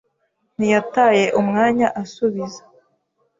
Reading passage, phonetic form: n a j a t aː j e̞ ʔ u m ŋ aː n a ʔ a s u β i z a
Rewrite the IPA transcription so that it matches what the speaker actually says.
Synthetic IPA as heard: n i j a t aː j e̞ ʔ u m ŋ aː ɲ a ʔ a s u β i z a